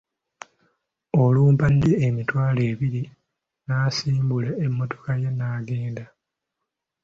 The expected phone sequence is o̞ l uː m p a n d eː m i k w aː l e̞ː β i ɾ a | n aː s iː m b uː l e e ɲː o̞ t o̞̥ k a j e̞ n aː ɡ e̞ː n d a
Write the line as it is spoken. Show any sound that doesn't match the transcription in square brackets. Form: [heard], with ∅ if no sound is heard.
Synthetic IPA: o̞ l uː m p a n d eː m i [t] w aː l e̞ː β i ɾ [i] | n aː s iː m b [u] l e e [mː] o̞ t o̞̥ k a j e̞ n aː ɡ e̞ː n d a